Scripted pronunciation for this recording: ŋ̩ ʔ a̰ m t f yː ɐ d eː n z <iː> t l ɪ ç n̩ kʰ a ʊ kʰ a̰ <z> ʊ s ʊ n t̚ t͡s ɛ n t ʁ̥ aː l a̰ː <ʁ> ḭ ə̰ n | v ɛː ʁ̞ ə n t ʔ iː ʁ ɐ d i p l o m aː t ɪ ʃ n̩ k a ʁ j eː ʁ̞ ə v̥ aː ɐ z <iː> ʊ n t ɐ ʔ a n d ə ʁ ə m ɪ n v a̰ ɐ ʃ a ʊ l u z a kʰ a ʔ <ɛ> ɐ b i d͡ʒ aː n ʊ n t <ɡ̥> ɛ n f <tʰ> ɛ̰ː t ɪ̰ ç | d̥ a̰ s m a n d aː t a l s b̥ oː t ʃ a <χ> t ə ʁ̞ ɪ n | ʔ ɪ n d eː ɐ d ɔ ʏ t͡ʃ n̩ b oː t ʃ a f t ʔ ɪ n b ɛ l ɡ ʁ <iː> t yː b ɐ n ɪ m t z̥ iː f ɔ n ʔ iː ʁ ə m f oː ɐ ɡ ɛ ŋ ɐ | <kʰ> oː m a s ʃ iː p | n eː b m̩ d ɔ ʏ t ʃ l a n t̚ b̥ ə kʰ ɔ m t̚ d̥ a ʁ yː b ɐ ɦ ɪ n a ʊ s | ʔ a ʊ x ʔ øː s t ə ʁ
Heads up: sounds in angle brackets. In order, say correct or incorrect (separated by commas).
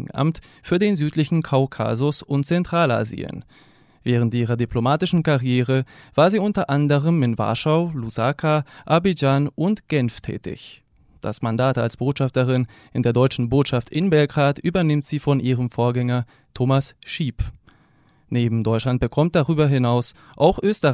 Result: incorrect, correct, incorrect, correct, incorrect, correct, correct, incorrect, incorrect, incorrect